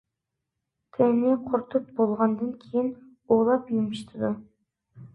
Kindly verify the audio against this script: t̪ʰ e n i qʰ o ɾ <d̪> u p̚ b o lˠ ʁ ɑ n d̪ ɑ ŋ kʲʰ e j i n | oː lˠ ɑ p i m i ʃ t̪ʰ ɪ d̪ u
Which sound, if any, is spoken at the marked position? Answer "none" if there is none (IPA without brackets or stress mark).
t̪